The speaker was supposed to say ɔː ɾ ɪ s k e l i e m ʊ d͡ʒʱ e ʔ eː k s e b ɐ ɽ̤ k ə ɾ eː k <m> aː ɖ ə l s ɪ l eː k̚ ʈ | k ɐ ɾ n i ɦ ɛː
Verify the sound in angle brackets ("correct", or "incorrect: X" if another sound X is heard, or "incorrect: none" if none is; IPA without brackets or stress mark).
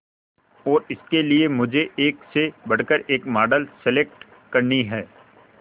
correct